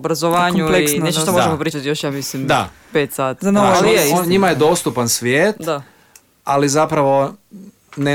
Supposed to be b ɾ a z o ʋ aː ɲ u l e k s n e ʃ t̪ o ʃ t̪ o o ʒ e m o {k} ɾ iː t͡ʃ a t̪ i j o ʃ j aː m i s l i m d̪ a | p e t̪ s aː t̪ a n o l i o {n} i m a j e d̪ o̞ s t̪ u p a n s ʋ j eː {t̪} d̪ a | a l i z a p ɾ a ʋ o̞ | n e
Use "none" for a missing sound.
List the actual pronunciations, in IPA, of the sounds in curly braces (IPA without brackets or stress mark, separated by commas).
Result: p, ɲ, t̪